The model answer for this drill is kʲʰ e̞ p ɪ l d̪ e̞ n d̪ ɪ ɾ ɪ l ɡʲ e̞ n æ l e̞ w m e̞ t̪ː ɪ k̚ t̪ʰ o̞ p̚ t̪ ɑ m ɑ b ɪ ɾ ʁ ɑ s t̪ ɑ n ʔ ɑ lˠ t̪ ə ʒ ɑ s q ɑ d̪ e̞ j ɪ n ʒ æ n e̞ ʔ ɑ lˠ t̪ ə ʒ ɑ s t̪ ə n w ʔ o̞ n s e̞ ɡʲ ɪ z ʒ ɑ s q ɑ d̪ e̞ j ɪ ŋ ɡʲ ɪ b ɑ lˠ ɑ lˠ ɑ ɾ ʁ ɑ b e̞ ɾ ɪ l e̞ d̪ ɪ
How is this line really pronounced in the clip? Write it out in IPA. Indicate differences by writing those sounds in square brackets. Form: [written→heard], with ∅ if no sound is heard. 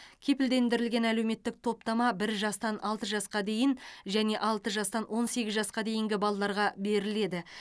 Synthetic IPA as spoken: kʲʰ e̞ p ɪ l d̪ e̞ n d̪ ɪ ɾ ɪ l ɡʲ e̞ n æ l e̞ w m e̞ t̪ː ɪ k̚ t̪ʰ o̞ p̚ t̪ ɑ m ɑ b ɪ ɾ [ʁ→ʒ] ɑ s t̪ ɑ n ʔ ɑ lˠ t̪ ə ʒ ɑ s q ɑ d̪ e̞ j ɪ n ʒ æ n e̞ ʔ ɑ lˠ t̪ ə ʒ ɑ s t̪ [ə→ɑ] n w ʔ o̞ n s e̞ ɡʲ ɪ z ʒ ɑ s q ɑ d̪ e̞ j ɪ ŋ ɡʲ ɪ b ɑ lˠ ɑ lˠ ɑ ɾ ʁ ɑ b e̞ ɾ ɪ l e̞ d̪ ɪ